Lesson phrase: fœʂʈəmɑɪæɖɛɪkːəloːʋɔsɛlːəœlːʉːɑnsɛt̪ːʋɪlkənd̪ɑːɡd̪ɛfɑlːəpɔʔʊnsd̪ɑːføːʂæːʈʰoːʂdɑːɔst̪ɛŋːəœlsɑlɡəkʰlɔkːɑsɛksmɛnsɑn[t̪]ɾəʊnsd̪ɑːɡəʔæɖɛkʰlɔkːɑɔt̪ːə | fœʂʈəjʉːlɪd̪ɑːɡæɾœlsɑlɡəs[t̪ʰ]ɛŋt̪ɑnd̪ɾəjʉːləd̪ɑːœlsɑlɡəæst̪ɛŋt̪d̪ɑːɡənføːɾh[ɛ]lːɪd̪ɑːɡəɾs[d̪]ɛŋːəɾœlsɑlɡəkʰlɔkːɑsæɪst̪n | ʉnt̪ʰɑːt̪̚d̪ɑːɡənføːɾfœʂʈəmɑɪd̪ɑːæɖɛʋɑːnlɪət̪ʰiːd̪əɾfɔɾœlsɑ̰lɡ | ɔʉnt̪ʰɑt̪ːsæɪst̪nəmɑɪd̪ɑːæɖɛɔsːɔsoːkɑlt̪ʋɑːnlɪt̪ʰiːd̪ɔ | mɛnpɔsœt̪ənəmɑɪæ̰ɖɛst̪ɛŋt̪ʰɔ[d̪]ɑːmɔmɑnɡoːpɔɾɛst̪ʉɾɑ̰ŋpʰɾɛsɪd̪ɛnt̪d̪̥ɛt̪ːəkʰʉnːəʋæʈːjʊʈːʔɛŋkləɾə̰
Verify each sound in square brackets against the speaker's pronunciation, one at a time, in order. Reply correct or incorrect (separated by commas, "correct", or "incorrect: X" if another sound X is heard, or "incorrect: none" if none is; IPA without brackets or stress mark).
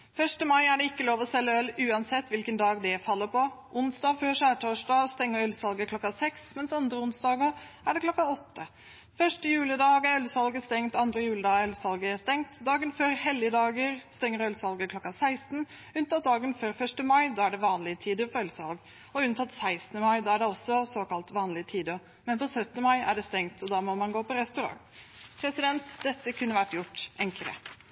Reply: incorrect: d̪, incorrect: t̪, correct, incorrect: t̪, correct